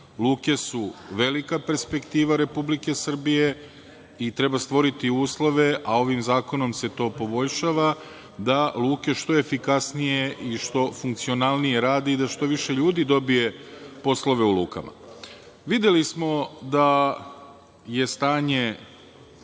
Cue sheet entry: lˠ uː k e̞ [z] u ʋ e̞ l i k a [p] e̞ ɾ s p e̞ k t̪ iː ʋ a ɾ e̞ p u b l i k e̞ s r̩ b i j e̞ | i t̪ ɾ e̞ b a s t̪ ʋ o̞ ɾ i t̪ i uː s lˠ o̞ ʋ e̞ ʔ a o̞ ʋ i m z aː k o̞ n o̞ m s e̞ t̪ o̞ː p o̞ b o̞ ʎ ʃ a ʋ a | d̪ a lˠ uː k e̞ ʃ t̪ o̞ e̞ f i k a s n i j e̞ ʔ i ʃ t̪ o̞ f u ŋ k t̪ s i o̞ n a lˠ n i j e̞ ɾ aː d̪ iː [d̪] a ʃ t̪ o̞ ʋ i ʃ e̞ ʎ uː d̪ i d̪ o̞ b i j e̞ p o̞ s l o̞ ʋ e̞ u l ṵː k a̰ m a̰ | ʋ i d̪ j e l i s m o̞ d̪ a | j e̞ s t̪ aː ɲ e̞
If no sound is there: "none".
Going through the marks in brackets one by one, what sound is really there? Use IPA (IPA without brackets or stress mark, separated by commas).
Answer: s, p, d̪